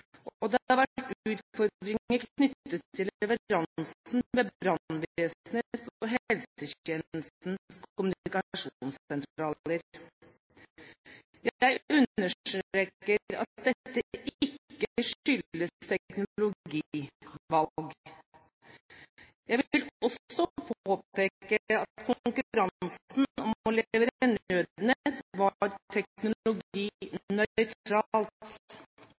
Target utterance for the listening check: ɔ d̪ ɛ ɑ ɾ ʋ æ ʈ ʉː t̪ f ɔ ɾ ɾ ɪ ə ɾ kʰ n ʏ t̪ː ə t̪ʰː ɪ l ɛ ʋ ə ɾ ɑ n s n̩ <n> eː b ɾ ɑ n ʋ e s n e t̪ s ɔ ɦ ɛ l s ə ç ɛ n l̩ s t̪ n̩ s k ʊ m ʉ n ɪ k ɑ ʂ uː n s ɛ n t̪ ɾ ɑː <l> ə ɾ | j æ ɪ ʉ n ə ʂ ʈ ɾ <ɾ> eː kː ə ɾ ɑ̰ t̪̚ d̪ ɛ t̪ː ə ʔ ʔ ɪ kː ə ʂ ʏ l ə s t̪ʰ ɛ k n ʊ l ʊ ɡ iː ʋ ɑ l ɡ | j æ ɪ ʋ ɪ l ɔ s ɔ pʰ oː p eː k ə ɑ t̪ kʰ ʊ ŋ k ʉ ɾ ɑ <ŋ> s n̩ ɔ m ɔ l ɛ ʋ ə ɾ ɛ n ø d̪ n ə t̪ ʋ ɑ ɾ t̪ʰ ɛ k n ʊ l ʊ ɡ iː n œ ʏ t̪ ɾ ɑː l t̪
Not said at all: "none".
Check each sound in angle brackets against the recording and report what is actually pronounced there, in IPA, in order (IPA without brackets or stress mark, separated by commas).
m, l, ɾ, n